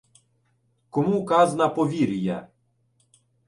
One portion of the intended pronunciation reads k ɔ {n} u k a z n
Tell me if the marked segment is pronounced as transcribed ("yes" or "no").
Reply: no